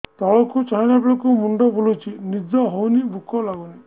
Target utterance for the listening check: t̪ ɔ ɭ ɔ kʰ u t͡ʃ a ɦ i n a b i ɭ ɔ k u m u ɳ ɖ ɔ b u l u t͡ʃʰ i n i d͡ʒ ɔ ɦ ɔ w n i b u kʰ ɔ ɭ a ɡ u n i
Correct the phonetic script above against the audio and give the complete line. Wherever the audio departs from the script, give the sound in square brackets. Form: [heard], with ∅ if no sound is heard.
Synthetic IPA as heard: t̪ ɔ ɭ ɔ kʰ u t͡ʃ a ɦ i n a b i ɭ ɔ k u m u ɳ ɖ ɔ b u l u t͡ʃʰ i n i d͡ʒ ɔ ɦ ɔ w n i b u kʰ ɔ [l] a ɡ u n i